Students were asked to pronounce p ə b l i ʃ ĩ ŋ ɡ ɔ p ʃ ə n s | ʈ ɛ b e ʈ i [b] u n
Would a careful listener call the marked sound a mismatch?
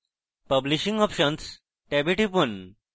yes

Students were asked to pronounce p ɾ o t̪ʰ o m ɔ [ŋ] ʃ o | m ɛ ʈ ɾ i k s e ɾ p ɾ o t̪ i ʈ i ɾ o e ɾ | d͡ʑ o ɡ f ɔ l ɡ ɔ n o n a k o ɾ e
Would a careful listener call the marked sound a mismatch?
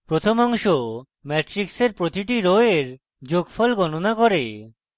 no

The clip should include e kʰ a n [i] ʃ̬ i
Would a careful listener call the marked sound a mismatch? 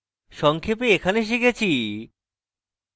yes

